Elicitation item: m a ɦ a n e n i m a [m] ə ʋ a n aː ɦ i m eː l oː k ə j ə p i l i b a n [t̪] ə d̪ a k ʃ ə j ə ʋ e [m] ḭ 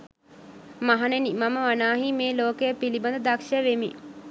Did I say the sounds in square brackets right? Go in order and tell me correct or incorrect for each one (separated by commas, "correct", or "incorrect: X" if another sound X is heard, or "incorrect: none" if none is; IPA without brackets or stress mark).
correct, incorrect: d̪, correct